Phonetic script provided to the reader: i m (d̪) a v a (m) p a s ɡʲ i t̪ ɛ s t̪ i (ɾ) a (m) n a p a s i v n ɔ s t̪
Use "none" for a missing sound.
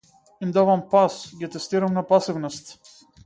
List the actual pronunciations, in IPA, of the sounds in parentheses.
d̪, m, ɾ, m

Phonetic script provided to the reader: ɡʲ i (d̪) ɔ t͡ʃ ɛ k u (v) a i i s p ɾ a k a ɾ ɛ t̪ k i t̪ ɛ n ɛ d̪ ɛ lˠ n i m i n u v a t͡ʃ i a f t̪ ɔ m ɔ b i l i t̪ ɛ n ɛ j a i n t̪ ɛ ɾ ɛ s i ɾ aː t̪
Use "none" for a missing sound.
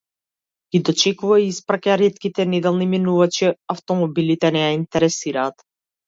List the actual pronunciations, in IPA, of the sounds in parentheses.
d̪, v

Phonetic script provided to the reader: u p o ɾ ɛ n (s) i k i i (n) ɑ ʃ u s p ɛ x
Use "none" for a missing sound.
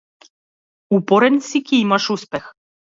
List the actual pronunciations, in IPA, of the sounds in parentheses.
s, m

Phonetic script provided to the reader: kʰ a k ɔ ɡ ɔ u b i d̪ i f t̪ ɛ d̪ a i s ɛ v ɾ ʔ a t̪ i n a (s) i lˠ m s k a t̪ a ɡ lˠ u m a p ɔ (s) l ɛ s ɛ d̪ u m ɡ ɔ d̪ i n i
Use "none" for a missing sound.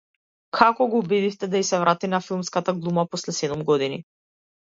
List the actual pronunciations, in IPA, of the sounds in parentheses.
f, s

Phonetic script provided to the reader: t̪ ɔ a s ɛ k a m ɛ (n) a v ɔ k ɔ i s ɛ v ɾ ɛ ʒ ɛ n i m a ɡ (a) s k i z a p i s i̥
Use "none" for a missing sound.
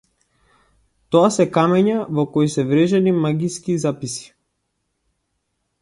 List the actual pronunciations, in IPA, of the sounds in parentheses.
ɲ, i

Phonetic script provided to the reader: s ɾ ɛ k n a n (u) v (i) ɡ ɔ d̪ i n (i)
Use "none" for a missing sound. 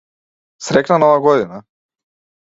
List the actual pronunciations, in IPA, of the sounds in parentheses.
ɔ, a, a

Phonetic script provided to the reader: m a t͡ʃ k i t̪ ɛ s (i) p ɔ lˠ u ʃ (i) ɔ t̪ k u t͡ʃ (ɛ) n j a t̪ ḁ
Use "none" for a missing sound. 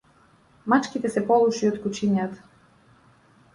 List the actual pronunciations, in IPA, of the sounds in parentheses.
ɛ, i, i

